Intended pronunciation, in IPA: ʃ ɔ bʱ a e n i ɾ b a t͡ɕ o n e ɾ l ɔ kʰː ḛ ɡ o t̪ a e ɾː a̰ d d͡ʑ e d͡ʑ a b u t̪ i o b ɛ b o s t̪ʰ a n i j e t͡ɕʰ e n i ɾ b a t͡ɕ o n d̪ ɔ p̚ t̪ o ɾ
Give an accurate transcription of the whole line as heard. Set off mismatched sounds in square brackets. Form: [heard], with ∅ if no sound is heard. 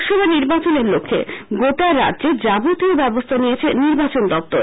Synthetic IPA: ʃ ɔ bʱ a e n i ɾ b a t͡ɕ o n e ɾ l [o] kʰː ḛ ɡ o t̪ a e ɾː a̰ d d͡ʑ e d͡ʑ a b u t̪ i o b ɛ b o s t̪ʰ a n i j e t͡ɕʰ e n i ɾ b a t͡ɕ o n d̪ ɔ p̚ t̪ o ɾ

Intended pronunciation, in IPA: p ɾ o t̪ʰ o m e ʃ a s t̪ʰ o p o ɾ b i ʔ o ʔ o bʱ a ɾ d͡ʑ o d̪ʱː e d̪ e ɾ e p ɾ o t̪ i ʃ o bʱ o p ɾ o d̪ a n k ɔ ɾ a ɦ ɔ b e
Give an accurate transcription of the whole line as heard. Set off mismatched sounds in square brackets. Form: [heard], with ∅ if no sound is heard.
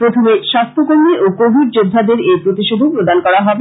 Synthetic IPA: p ɾ o t̪ʰ o m e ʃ a s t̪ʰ o [k] o ɾ [m] i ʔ o [k] o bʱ [i] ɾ d͡ʑ o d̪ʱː [a] d̪ e ɾ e p ɾ o t̪ i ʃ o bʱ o p ɾ o d̪ a n k ɔ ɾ a ɦ ɔ b e

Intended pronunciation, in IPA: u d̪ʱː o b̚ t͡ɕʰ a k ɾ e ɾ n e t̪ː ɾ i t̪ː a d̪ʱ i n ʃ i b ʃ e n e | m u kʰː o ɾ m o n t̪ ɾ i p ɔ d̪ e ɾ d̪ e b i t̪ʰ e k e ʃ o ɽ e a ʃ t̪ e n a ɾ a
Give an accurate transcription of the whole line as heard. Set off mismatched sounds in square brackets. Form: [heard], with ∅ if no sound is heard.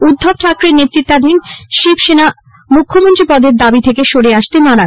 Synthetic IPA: u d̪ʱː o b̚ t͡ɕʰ a k ɾ e ɾ n e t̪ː ɾ i t̪ː a d̪ʱ i n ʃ i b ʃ e n [a] | m u kʰː o [∅] m o n t̪ ɾ i p ɔ d̪ e ɾ d̪ [a] b i t̪ʰ e k e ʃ o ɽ e a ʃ t̪ e n a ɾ a

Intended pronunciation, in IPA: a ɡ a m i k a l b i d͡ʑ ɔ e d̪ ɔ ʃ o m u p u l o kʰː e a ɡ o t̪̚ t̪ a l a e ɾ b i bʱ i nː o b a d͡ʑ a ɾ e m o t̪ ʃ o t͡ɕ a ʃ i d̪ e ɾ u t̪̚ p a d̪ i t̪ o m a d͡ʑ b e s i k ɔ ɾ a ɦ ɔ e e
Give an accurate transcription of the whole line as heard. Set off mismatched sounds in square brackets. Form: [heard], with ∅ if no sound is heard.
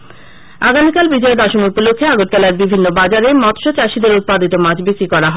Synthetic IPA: a ɡ a m i k a l b i d͡ʑ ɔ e d̪ ɔ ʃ o m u p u l o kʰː e a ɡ o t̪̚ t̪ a l a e ɾ b i bʱ i nː o b a d͡ʑ a ɾ e m [ɔ] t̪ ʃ o t͡ɕ a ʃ i d̪ e ɾ u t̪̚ p a d̪ i t̪ o m a d͡ʑ b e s i k ɔ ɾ a ɦ ɔ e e

